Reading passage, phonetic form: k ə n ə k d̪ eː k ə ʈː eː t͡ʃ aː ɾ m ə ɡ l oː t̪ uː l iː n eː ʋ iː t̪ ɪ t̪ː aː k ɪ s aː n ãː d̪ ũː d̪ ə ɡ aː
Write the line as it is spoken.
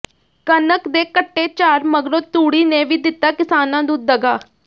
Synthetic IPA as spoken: k ə n ə k d̪ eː k ə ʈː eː t͡ʃ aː ɾ m ə ɡ ɾ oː t̪ uː ɽ iː n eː ʋ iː d̪ ɪ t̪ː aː k ɪ s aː n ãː d̪ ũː d̪ ə ɡ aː